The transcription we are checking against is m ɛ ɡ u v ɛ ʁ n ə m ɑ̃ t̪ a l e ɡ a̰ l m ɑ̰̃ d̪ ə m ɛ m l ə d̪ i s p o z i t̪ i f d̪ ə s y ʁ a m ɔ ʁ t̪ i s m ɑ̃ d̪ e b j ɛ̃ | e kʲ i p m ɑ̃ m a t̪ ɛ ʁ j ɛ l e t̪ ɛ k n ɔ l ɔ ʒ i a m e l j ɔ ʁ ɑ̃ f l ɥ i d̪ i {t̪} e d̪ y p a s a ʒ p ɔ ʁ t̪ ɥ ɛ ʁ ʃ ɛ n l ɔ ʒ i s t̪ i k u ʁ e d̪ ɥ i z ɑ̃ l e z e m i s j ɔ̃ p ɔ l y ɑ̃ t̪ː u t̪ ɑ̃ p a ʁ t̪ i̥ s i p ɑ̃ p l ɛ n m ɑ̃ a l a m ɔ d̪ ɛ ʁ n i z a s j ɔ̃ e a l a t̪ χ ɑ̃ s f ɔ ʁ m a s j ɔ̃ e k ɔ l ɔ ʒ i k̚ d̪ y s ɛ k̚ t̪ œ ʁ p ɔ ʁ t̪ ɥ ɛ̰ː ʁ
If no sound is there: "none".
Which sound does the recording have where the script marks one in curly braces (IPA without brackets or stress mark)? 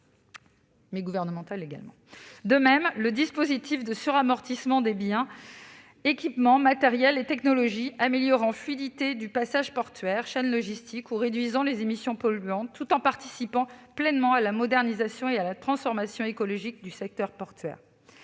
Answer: t̪